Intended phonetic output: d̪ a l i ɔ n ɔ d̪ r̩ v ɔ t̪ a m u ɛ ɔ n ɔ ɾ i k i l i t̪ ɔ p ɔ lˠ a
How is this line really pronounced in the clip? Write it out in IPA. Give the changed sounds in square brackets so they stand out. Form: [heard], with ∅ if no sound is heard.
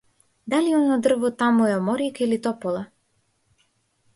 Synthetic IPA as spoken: d̪ a l i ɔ n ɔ d̪ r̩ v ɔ t̪ a m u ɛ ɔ [m] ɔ ɾ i k i l i t̪ ɔ p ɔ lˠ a